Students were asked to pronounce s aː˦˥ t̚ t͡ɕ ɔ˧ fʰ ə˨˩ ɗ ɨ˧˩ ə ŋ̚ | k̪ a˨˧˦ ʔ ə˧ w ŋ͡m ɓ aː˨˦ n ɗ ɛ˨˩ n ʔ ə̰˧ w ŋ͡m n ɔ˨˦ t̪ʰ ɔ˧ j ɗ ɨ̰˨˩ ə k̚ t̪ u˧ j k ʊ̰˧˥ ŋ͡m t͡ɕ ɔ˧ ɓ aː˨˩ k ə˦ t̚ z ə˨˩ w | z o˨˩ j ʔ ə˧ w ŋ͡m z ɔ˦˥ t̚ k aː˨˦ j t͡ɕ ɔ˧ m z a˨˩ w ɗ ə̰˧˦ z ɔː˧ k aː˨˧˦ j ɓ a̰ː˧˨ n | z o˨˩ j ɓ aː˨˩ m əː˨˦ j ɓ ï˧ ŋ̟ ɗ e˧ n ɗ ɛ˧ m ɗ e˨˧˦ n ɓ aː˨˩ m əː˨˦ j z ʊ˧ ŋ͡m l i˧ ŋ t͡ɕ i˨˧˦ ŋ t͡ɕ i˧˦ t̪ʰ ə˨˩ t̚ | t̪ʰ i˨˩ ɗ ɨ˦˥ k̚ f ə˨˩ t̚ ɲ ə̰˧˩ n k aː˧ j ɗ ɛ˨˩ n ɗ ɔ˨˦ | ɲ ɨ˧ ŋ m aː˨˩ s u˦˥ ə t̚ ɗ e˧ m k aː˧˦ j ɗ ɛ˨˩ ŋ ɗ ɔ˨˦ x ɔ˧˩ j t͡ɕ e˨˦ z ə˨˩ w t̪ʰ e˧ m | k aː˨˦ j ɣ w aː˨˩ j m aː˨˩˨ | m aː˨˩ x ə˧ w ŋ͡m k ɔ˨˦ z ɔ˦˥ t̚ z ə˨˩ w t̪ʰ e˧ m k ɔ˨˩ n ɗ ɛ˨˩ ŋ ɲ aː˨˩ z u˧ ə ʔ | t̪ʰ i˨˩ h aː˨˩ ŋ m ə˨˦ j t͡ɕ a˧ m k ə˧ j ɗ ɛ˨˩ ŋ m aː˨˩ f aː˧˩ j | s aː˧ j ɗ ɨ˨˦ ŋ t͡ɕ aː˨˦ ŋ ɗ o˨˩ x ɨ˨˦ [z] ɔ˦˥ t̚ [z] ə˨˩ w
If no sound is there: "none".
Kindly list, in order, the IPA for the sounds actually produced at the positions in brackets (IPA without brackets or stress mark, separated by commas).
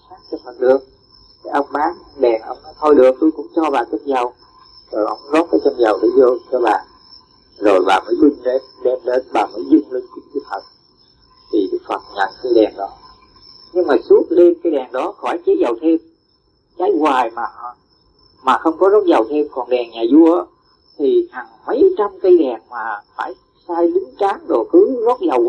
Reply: z, z